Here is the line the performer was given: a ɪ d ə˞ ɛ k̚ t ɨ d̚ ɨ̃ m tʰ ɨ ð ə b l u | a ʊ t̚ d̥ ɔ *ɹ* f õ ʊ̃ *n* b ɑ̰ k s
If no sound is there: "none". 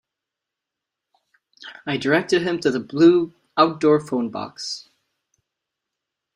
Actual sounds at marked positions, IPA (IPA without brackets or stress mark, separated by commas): ɹ, n